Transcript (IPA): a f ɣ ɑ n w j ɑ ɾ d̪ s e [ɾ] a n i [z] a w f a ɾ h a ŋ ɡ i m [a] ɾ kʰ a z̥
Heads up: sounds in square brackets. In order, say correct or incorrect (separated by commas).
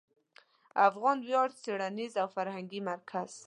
incorrect, correct, correct